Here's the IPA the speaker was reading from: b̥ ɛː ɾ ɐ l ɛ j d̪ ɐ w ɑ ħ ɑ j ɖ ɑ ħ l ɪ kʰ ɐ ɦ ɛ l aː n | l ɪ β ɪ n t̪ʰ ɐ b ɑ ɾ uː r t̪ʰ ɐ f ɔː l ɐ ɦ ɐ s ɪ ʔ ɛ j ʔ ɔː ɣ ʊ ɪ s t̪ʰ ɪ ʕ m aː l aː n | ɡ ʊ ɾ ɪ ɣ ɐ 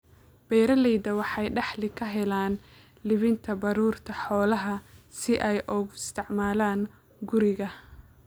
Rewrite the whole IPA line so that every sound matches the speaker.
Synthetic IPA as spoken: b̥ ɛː ɾ ɐ l ɛ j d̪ ɐ w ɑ ħ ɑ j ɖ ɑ ħ l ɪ kʰ ɐ ɦ ɛ l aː n | l ɪ β ɪ n t̪ʰ ɐ b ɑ ɾ uː r t̪ʰ ɐ ħ ɔː l ɐ ɦ ɐ s ɪ ʔ ɛ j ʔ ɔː ɣ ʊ ɪ s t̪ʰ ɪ ʕ m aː l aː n | ɡ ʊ ɾ ɪ ɣ ɐ

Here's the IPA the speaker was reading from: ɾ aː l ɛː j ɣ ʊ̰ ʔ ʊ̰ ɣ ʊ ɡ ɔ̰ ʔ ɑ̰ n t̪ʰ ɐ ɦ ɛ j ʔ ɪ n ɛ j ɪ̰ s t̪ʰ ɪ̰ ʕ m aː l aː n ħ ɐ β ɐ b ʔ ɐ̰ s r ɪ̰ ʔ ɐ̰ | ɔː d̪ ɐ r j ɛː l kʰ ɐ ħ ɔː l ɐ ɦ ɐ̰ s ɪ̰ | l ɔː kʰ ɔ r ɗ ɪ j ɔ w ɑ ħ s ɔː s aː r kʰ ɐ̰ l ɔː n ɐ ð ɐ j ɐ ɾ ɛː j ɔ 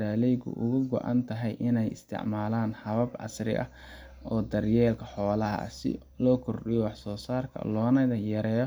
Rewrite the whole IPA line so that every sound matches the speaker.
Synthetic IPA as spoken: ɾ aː l ɛ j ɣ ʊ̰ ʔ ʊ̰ ɣ ʊ ɡ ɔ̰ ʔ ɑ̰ n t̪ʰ ɐ ɦ ɛ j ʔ ɪ n ɛ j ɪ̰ s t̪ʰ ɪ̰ ʕ m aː l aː n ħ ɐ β ɐ b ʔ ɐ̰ s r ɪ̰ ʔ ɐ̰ | ɔː d̪ ɐ r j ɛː l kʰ ɐ ħ ɔː l ɐ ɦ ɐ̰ s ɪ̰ | l ɔː kʰ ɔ r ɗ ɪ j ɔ w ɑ ħ s ɔː s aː r kʰ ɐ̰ l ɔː n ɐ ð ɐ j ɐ ɾ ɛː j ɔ

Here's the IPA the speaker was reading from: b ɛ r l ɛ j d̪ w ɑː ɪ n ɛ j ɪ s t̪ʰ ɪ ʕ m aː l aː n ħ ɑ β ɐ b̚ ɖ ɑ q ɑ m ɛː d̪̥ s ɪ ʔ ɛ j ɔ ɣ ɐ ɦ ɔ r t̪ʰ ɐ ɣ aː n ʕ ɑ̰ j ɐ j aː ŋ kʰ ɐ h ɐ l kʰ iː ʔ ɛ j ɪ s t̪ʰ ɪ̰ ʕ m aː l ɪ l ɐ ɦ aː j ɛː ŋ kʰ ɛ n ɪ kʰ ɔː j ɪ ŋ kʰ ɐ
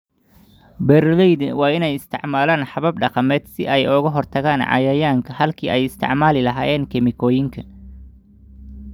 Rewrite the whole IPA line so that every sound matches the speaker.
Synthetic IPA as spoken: b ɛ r l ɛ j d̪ w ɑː ɪ n ɛ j ɪ s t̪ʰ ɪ ʕ m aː l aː n ħ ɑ β ɐ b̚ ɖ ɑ q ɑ m ɛː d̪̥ s ɪ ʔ ɛ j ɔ ɣ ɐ ɦ ɔ r t̪ʰ ɐ ɣ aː n ʕ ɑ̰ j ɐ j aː ŋ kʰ ɐ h ɐ l kʰ iː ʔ ɛ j ɪ s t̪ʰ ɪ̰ ʕ m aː l ɪ l ɐ ɦ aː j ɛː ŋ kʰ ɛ m ɪ kʰ ɔː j ɪ ŋ kʰ ɐ

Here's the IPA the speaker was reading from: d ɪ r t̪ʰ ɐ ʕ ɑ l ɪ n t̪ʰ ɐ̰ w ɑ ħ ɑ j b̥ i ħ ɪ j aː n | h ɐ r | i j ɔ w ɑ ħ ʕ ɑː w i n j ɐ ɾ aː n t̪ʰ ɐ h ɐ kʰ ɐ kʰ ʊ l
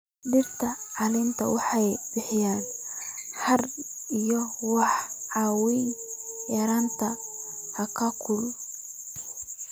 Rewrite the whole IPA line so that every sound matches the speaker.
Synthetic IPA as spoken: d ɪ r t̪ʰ ɐ ʕ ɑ l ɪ n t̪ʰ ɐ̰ w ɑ ħ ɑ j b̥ ɪ ħ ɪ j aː n | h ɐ r | i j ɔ w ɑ ħ ʕ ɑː w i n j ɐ ɾ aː n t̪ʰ ɐ h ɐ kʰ ɐ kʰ ʊ l

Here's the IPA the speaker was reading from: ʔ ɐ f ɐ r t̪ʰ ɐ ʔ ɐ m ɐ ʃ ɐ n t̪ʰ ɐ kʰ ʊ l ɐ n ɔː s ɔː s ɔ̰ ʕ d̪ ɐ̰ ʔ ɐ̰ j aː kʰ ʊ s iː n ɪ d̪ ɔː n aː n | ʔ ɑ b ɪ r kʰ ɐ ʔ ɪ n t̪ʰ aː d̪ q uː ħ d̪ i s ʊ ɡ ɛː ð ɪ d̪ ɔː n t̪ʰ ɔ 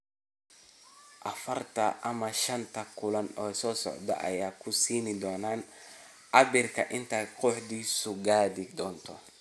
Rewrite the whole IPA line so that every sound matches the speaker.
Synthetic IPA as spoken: ʔ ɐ f ɐ r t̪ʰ ɐ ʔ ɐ m ɐ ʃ ɐ n t̪ʰ ɐ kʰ ʊ l ɐ n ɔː s ɔː s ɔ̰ ʕ d̪ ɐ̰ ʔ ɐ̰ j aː kʰ ʊ s iː n ɪ d̪ ɔː n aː n | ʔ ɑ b ɪ r kʰ ɐ ʔ ɪ n t̪ʰ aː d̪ q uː ħ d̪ iː s ʊ ɡ aː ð ɪ d̪ ɔː n t̪ʰ ɔ

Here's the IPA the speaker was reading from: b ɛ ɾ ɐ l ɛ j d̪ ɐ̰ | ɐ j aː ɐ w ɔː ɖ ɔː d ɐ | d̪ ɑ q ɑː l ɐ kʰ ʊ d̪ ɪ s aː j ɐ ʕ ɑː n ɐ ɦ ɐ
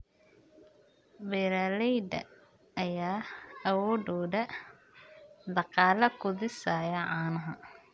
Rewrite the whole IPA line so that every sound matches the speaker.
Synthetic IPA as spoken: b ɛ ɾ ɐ l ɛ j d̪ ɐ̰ | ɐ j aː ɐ w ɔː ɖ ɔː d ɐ | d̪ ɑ q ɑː l ɐ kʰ ʊ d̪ ɪ s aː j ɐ ʕ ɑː n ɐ ɦ ɐ

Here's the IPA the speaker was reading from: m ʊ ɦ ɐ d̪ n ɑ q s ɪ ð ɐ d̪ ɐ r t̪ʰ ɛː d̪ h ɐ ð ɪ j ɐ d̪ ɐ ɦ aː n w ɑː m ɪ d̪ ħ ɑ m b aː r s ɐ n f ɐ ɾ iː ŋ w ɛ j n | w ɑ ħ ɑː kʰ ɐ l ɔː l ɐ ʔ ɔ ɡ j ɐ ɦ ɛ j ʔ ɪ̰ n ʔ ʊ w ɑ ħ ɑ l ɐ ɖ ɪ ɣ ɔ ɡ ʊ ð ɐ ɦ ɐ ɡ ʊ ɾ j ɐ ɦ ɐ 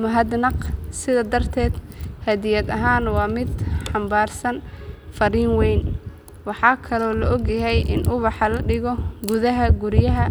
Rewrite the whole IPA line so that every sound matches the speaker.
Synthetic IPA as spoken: m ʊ ɦ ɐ d̪ n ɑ q s ɪ ð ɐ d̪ ɐ r t̪ʰ ɛː d̪ h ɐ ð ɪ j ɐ d̪ ɐ ɦ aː n w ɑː m ɪ d̪ ħ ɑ m b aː r s ɐ n f ɐ ɾ iː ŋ w ɛ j n | w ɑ ħ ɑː kʰ ɐ l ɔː l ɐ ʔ ɔ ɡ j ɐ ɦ ɛ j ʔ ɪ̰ n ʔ ʊ β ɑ ħ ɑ l ɐ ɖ ɪ ɣ ɔ ɡ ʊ ð ɐ ɦ ɐ ɡ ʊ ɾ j ɐ ɦ ɐ

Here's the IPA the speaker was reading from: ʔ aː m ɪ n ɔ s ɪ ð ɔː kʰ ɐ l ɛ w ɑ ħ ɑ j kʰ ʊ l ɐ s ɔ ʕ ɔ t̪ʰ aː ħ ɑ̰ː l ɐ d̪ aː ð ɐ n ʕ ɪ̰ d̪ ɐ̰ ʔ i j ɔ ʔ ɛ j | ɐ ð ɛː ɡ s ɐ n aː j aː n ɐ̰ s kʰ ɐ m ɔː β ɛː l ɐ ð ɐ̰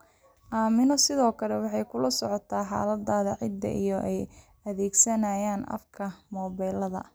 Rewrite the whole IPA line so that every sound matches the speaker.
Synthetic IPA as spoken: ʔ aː m ɪ n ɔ s ɪ ð ɔː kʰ ɐ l ɛ w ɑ ħ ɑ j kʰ ʊ l ɐ s ɔ ʕ ɔ t̪ʰ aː ħ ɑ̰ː l ɐ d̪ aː ð ɐ ʕ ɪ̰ d̪ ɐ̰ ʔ i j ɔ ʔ ɛ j | ɐ ð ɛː ɡ s ɐ n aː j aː n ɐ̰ f kʰ ɐ m ɔː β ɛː l ɐ ð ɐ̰

